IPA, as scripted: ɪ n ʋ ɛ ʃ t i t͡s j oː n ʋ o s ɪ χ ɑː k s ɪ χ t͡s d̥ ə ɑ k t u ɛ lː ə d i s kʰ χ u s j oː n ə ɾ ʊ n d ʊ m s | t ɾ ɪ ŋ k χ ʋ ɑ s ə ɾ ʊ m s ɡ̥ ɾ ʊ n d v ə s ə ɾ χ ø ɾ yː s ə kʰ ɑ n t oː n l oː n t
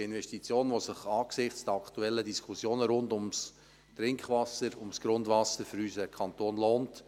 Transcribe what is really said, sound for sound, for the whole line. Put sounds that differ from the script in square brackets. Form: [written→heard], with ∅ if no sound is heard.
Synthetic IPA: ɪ n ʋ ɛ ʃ t i t͡s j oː n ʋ o s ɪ χ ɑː k s ɪ χ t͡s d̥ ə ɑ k t u ɛ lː ə d i s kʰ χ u s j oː n ə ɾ ʊ n d ʊ m s | t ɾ ɪ ŋ k χ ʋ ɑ s ə ɾ ʊ m s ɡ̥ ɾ ʊ n d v [ə→ɑ] s ə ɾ [χ→f] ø ɾ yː s ə kʰ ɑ n t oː n l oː n t